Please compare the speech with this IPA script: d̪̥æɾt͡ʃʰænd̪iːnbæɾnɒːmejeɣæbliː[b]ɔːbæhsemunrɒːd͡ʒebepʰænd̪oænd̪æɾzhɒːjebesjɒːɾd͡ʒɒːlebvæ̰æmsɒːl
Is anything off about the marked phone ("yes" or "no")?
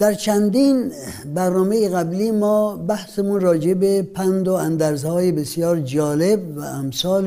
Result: yes